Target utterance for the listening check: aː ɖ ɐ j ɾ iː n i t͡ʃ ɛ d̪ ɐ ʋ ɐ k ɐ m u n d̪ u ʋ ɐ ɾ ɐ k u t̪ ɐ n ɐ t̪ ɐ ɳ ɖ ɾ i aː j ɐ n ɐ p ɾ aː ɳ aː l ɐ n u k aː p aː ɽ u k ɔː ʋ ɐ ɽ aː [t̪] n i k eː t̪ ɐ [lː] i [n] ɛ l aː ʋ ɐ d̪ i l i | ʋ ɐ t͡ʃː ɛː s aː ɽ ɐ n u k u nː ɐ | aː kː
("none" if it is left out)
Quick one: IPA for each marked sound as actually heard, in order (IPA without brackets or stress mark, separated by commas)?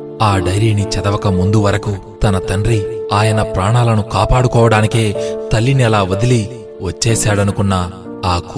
none, lː, n